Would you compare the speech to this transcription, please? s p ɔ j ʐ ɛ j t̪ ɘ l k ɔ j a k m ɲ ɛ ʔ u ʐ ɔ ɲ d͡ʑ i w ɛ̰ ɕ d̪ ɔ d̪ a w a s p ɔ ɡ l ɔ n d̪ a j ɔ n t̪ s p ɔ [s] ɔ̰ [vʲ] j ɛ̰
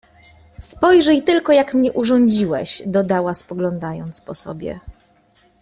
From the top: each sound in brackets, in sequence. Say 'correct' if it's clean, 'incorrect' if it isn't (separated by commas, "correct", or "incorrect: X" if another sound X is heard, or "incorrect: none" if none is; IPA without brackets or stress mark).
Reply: correct, incorrect: bʲ